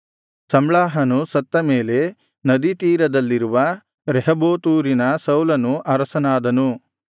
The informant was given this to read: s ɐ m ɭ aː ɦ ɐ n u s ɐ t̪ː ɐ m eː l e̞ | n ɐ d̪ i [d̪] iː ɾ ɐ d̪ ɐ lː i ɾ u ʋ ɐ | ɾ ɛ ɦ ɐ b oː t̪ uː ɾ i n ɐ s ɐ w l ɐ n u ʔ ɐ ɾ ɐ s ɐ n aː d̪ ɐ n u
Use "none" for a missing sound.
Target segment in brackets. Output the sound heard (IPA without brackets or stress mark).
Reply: t̪